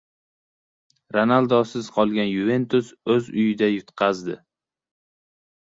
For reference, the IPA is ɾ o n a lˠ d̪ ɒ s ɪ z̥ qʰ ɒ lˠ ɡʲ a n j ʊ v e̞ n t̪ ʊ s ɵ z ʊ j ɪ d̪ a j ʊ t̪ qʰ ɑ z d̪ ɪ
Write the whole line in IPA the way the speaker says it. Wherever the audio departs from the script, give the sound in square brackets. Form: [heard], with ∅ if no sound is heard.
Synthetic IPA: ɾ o n a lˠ d̪ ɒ s ɪ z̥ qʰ ɒ lˠ ɡʲ a n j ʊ v e̞ n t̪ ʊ s ɵ z ʊ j ɪ d̪ a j ʊ t̪ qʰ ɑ z d̪ ɪ